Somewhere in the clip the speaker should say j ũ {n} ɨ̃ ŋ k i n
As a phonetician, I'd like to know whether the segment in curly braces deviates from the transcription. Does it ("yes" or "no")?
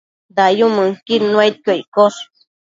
yes